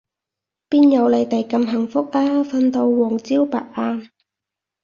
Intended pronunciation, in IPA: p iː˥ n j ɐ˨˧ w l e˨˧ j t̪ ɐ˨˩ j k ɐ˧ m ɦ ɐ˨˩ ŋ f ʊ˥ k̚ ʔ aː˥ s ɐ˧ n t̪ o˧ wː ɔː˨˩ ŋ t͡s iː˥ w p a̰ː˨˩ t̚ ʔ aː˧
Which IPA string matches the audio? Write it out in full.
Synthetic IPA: p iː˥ n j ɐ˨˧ w l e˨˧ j t̪ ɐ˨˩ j k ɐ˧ m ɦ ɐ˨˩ ŋ f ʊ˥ k̚ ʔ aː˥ f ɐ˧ n t̪ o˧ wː ɔː˨˩ ŋ t͡s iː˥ w p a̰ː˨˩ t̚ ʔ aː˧